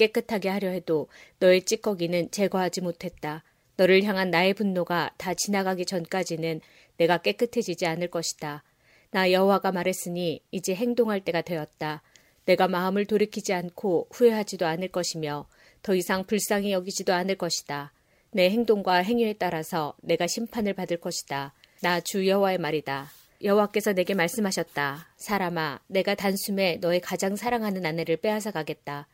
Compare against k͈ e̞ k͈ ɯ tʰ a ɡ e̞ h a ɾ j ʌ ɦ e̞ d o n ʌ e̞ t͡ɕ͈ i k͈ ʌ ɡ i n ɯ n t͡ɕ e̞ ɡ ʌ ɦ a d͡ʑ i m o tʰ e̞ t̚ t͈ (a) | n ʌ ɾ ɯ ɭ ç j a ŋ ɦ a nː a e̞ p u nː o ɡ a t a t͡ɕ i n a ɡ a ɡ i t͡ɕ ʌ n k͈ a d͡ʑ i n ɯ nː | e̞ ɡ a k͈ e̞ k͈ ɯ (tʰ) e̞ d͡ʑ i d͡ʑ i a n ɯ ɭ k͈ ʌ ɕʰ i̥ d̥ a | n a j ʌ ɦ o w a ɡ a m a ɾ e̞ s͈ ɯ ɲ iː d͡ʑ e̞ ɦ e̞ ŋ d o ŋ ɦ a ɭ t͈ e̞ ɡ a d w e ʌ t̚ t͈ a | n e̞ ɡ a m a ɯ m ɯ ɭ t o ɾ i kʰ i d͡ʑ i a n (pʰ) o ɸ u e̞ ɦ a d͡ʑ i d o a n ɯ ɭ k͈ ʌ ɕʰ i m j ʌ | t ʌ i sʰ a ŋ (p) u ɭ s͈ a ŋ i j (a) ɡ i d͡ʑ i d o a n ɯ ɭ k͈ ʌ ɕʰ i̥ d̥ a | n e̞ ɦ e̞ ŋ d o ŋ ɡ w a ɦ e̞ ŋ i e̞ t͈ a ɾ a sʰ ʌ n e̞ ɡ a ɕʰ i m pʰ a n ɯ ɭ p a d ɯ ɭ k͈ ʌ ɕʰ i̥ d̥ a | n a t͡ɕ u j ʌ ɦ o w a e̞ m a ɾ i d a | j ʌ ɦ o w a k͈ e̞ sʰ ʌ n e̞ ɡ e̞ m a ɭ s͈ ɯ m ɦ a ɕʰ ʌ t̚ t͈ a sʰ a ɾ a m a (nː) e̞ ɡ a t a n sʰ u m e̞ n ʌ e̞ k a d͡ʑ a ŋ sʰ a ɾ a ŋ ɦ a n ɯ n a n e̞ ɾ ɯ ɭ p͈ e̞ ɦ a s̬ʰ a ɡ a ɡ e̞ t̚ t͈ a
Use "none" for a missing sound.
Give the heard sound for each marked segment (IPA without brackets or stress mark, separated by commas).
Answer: a, tʰ, kʰ, p, ʌ, n